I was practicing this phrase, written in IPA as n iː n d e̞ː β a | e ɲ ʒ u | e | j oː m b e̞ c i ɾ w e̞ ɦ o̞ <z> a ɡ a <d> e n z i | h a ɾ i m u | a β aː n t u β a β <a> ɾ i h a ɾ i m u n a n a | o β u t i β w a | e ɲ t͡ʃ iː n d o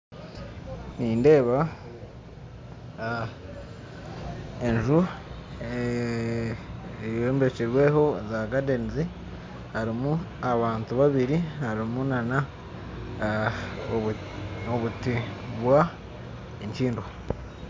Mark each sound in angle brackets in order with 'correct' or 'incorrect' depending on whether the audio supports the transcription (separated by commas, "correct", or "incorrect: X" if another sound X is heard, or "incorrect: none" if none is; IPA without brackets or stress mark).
correct, correct, incorrect: i